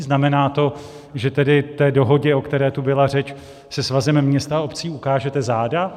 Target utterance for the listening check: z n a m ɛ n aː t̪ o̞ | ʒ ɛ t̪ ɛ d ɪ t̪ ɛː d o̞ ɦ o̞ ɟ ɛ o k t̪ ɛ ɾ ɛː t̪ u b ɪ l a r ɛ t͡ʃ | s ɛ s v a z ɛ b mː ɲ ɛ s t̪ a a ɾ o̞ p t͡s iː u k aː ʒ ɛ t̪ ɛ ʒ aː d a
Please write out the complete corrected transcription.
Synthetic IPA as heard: z n a m ɛ n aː t̪ o̞ | ʒ ɛ t̪ ɛ d ɪ t̪ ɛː d o̞ ɦ o̞ ɟ ɛ o k t̪ ɛ ɾ ɛː t̪ u b ɪ l a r ɛ t͡ʃ | s ɛ s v a z ɛ m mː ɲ ɛ s t̪ a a o̞ p t͡s iː u k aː ʒ ɛ t̪ ɛ z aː d a